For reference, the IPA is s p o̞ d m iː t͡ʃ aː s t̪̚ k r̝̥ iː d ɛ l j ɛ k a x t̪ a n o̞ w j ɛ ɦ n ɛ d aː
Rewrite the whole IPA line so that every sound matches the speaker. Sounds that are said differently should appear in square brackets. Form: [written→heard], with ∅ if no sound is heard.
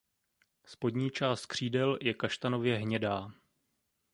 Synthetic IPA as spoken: s p o̞ d [m→ɲ] iː t͡ʃ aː s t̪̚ k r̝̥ iː d ɛ l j ɛ k a [x→ʃ] t̪ a n o̞ [w→v] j ɛ ɦ [n→ɲ] ɛ d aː